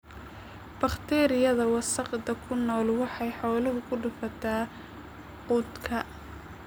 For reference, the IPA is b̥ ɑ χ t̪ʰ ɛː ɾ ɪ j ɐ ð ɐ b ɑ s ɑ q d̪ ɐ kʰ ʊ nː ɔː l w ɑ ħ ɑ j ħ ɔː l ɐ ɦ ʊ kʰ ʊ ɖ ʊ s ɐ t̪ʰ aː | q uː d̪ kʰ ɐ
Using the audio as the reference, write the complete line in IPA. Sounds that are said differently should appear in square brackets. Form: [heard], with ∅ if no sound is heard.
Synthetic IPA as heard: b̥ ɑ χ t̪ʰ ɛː ɾ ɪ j ɐ ð ɐ [w] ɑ s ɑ q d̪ ɐ kʰ ʊ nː ɔː l w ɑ ħ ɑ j ħ ɔː l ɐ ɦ ʊ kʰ ʊ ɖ ʊ [f] ɐ t̪ʰ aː | q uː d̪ kʰ ɐ